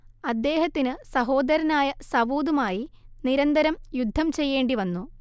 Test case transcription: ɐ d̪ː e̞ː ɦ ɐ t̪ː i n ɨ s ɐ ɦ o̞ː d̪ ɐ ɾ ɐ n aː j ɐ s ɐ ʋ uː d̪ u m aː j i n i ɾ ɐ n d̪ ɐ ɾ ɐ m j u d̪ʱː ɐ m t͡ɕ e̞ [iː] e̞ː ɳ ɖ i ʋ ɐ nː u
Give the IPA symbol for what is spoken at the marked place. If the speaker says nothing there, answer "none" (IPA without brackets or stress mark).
jː